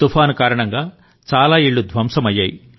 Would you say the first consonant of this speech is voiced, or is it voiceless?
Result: voiceless